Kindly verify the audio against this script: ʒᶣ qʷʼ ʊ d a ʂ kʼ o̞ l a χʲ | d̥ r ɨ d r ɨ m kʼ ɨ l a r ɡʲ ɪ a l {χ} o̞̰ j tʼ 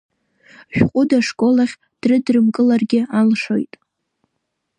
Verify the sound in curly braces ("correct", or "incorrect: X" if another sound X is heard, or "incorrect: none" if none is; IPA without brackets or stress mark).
incorrect: ʂ